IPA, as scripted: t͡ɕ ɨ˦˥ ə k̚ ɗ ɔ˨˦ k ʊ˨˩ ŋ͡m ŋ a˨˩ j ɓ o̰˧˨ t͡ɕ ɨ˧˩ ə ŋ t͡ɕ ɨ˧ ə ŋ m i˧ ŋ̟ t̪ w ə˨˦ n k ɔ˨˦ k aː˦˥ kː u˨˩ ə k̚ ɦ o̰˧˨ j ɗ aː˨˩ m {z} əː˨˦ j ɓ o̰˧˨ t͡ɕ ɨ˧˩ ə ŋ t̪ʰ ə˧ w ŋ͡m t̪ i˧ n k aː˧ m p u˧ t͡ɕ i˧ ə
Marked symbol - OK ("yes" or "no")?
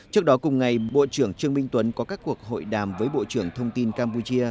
no